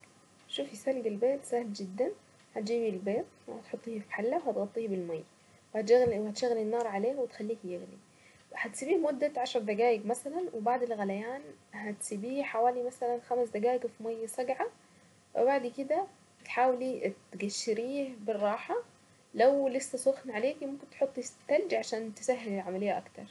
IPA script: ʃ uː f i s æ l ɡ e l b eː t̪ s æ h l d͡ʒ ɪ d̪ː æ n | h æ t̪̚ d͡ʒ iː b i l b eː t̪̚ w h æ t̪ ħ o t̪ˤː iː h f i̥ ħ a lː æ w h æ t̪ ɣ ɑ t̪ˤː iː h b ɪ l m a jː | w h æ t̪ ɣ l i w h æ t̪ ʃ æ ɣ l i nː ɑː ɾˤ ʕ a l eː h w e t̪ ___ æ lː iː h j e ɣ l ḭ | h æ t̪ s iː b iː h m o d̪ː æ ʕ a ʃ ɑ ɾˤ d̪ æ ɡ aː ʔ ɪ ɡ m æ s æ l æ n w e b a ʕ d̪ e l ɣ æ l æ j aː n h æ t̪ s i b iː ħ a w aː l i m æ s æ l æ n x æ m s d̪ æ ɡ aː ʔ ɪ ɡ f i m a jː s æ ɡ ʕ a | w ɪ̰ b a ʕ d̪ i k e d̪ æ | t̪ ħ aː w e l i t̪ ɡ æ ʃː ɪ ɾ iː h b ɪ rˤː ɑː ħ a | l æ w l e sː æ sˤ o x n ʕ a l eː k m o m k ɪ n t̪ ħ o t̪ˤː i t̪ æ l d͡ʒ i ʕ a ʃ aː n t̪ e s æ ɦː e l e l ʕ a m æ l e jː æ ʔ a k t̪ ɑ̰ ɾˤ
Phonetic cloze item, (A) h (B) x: B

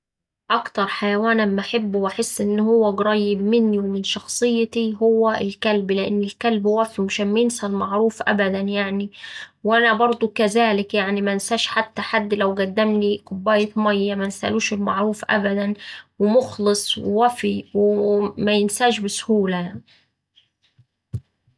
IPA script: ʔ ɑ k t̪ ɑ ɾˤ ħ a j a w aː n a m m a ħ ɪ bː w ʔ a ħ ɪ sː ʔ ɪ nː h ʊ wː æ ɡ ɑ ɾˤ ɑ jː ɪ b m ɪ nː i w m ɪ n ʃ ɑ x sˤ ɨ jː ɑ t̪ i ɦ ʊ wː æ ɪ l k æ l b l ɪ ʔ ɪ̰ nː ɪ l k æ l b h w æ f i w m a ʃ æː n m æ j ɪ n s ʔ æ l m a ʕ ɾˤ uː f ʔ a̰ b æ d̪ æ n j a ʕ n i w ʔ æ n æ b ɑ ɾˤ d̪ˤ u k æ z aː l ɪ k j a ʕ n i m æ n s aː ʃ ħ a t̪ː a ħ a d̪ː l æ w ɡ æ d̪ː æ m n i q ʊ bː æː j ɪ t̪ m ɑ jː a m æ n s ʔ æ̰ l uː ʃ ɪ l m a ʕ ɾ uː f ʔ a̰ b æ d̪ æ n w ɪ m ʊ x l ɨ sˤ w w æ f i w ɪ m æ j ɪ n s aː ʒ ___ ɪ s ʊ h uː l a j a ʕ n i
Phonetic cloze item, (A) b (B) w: A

